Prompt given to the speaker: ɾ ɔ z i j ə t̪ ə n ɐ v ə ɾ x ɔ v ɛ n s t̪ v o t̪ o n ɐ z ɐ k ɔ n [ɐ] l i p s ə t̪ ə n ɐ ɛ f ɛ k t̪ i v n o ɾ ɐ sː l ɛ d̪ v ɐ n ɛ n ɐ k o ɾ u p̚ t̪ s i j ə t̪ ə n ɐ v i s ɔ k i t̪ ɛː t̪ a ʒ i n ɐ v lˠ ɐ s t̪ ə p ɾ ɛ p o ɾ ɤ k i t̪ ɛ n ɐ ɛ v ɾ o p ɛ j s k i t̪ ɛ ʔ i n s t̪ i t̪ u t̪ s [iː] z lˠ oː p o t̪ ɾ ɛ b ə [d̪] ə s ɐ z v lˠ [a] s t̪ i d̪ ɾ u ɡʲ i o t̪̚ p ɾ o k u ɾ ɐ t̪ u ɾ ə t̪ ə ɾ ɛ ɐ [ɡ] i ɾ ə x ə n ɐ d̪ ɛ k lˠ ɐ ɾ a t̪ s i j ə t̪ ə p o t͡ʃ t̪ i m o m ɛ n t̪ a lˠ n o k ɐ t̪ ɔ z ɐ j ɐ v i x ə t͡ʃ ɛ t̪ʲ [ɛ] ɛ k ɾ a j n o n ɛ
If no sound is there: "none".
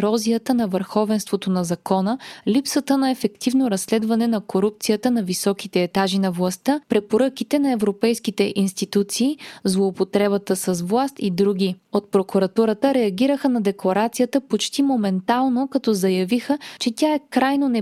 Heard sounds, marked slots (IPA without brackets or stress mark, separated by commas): ə, iː, t̪, a, ɡ, a